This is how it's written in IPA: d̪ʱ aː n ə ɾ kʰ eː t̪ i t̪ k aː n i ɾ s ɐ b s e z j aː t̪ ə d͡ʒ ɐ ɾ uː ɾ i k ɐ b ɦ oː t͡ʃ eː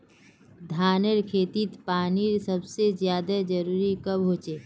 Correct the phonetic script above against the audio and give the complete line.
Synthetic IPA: d̪ʱ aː n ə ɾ kʰ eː t̪ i t̪ p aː n i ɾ s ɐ b s e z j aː d̪ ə d͡ʒ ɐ ɾ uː ɾ i k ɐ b ɦ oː t͡ʃ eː